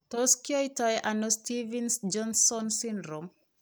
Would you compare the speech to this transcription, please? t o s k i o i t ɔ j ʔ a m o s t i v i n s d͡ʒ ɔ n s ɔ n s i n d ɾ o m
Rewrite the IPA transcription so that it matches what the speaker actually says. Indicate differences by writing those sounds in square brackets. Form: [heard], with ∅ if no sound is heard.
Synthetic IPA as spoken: t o s k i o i t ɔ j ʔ a [n] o s t i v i n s d͡ʒ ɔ n s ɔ n s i n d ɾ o m